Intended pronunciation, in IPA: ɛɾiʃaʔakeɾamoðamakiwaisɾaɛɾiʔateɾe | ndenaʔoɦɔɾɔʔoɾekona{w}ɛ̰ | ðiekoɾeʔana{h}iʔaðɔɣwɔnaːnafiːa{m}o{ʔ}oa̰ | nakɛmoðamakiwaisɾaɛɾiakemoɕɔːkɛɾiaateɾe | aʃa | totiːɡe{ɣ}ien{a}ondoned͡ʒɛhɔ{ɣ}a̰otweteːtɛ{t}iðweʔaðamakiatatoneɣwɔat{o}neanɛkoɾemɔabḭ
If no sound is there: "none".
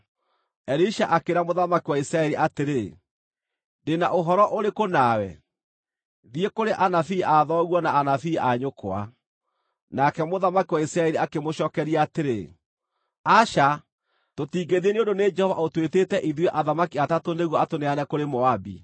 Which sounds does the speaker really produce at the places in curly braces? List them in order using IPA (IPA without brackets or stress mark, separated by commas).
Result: w, f, ɲ, k, ð, e, v, ʔ, o